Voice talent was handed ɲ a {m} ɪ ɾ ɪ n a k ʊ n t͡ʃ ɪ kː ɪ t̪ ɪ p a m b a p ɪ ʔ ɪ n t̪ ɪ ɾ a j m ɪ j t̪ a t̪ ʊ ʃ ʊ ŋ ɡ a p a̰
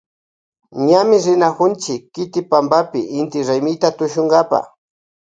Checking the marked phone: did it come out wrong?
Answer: no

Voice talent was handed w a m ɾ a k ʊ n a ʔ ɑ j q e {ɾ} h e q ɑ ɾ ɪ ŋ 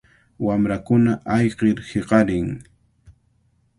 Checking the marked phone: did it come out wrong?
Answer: no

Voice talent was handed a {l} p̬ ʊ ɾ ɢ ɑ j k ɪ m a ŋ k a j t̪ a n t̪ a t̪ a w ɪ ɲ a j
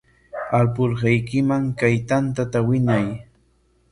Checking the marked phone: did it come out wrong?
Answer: no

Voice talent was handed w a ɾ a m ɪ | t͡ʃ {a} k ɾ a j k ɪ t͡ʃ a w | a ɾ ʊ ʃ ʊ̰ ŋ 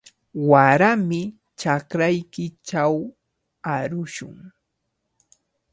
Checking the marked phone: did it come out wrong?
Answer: no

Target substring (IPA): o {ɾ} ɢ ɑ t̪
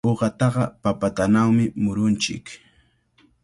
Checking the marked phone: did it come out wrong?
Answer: yes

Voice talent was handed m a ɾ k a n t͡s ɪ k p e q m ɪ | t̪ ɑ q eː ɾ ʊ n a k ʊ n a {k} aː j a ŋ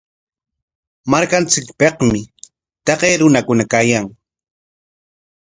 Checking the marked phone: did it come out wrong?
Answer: no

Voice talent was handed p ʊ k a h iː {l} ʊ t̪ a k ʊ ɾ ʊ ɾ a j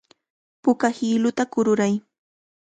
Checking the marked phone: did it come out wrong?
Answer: no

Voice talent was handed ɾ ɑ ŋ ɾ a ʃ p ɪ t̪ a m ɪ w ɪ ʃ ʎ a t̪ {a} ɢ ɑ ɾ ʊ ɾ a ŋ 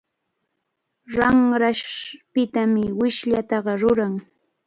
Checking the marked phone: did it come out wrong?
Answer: yes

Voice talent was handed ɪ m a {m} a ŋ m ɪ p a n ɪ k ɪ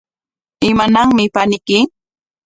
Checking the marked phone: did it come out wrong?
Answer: yes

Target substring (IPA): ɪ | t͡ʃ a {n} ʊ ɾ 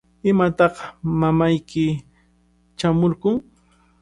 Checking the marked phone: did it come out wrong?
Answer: yes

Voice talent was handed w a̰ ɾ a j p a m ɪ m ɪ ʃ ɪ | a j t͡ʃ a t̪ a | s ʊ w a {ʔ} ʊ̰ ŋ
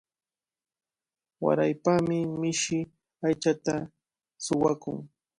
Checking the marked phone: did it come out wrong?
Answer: yes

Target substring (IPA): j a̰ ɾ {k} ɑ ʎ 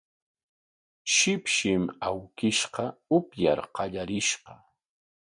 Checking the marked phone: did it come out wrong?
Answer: yes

